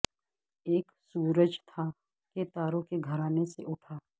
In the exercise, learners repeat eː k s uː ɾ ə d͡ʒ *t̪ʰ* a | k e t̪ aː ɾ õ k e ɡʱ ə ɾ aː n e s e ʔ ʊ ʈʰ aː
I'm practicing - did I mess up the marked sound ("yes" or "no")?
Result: no